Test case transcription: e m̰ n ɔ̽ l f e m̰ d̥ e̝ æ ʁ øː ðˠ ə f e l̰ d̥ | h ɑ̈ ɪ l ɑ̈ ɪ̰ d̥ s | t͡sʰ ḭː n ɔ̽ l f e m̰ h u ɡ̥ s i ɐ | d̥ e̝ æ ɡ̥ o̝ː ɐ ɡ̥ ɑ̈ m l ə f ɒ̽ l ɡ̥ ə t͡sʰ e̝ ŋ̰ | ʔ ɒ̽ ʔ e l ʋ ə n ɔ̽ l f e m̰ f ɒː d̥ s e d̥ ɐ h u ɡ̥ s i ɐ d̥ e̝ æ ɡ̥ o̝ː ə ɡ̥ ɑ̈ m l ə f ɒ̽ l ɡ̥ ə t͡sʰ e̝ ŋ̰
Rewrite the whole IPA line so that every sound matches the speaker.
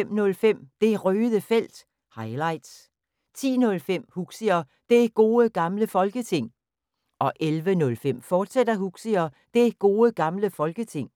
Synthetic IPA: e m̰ n ɔ̽ l f e m̰ d̥ e̝ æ ʁ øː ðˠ ə f e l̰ d̥ | h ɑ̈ ɪ l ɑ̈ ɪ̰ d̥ s | t͡sʰ ḭː n ɔ̽ l f e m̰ h u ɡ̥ s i ɐ | d̥ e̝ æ ɡ̥ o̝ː ə ɡ̥ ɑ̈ m l ə f ɒ̽ l ɡ̥ ə t͡sʰ e̝ ŋ̰ | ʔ ɒ̽ ʔ e l ʋ ə n ɔ̽ l f e m̰ f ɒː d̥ s e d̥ ɐ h u ɡ̥ s i ɐ d̥ e̝ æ ɡ̥ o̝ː ə ɡ̥ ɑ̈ m l ə f ɒ̽ l ɡ̥ ə t͡sʰ e̝ ŋ̰